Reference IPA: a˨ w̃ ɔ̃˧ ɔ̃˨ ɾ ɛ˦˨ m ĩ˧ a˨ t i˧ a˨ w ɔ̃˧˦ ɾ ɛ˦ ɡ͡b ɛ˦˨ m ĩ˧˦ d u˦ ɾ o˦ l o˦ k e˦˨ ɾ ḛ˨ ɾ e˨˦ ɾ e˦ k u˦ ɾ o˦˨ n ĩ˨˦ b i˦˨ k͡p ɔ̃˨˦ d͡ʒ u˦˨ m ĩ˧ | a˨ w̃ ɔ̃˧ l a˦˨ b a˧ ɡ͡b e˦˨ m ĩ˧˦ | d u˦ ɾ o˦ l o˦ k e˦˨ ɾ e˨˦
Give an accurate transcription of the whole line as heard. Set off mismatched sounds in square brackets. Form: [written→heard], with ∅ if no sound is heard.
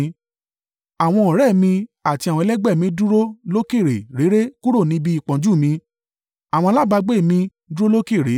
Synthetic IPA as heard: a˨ w̃ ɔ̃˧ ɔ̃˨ ɾ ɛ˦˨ m ĩ˧ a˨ t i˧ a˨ w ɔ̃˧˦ [ɾ→l] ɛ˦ ɡ͡b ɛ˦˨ m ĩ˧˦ d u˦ ɾ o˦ l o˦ k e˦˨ ɾ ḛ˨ ɾ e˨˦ ɾ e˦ k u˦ ɾ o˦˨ n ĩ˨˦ b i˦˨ k͡p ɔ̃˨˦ d͡ʒ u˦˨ m ĩ˧ | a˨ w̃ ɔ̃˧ l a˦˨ b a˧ ɡ͡b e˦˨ m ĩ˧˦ | d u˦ ɾ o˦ l o˦ k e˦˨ ɾ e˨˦